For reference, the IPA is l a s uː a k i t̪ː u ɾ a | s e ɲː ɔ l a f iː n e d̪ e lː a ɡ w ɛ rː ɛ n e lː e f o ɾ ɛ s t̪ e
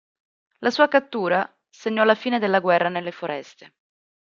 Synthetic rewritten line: l a s uː a k a t̪ː uː ɾ a | s e ɲː ɔ l a f iː n e d̪ e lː a ɡ w ɛ rː a n e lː e f o ɾ ɛ s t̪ e